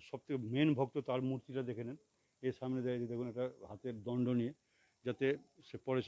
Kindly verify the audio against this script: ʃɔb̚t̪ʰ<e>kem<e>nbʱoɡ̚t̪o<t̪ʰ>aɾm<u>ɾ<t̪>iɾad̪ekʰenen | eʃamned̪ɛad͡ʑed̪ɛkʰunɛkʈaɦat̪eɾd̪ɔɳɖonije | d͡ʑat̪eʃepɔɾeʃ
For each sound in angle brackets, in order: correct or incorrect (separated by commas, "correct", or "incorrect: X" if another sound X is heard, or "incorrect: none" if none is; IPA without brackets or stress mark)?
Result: correct, correct, incorrect: t̪, correct, correct